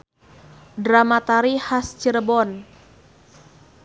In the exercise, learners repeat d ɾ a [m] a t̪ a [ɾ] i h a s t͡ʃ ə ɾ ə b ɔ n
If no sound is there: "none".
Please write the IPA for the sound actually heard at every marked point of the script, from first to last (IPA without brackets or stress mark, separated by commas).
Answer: m, ɾ